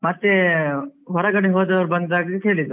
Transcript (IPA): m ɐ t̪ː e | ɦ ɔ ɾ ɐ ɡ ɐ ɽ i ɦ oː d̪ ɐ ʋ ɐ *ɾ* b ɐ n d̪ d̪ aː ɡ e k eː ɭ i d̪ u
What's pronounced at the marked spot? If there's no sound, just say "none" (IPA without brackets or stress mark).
ɾ